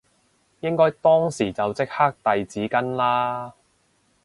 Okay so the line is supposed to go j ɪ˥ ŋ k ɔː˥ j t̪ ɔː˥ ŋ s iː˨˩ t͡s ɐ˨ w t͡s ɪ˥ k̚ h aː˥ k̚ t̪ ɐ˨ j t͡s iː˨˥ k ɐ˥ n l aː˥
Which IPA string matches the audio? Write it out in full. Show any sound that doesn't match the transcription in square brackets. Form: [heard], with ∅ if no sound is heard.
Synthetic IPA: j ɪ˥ ŋ k ɔː˥ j t̪ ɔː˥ ŋ s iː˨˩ t͡s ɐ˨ w t͡s ɪ˥ k̚ h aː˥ k̚ t̪ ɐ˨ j t͡s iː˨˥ k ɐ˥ n l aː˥